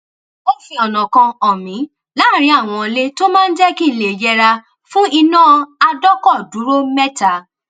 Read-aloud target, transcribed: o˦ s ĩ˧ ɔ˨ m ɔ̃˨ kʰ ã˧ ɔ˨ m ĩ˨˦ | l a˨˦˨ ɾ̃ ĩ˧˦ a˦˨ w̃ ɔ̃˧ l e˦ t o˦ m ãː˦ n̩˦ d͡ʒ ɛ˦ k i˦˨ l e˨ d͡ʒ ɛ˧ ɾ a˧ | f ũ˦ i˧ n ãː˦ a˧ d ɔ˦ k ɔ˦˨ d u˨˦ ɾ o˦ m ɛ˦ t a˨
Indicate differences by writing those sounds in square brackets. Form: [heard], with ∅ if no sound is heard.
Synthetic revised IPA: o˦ [f] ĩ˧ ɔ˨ [n] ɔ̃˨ [k] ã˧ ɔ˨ m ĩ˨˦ | l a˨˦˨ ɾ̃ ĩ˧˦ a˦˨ w̃ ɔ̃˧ l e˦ t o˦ m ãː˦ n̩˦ d͡ʒ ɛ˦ k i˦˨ l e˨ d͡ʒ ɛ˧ ɾ a˧ | f ũ˦ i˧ n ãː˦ a˧ d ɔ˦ k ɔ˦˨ d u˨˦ ɾ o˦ m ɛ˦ t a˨